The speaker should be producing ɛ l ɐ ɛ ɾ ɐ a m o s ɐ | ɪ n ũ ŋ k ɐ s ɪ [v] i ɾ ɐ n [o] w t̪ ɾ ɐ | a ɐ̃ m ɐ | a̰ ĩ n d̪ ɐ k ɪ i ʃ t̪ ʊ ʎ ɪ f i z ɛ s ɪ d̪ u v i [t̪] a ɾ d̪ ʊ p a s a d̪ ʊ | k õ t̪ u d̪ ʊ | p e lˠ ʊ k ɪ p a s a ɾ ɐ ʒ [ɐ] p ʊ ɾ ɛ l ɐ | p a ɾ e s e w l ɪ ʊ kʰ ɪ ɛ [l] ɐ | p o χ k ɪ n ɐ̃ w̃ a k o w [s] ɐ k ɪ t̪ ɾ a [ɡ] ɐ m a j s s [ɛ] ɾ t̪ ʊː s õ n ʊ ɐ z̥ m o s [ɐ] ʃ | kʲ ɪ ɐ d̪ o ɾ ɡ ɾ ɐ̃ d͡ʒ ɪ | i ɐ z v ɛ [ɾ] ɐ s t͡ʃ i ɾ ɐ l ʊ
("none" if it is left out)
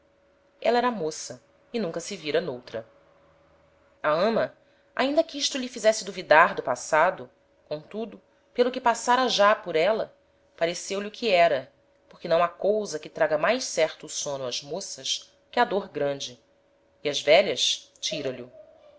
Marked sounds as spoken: v, o, d̪, a, ɾ, z, ɡ, ɛ, ɐ, ʎ

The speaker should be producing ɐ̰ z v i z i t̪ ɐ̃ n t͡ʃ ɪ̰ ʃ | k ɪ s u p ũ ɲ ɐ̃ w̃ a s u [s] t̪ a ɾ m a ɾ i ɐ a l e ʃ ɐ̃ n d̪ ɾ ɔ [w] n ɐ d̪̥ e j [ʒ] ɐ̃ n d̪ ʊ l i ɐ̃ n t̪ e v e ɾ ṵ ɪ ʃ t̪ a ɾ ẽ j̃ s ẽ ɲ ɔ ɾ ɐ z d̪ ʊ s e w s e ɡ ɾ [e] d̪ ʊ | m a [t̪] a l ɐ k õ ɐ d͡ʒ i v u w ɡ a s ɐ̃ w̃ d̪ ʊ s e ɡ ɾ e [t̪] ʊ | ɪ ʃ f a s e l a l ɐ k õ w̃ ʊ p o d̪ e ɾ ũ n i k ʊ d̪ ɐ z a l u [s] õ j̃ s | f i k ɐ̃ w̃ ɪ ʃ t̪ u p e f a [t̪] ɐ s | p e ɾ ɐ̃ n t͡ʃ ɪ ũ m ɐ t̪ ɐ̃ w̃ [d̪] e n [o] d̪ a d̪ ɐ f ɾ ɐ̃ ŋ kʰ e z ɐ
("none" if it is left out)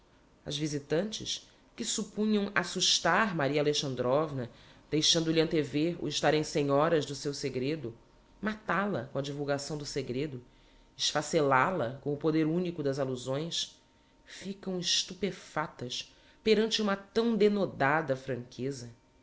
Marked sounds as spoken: ʃ, v, ʃ, e, t̪, d̪, z, t̪, d̪, o

